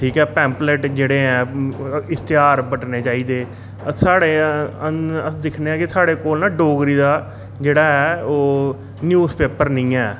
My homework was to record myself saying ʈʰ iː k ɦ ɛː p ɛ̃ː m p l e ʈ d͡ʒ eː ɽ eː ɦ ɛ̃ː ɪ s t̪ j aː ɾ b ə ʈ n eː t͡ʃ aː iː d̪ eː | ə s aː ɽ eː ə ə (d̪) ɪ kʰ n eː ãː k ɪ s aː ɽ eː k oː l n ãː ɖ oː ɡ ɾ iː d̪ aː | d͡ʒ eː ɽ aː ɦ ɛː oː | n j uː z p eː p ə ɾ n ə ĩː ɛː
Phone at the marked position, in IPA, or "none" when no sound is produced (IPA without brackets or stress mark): d̪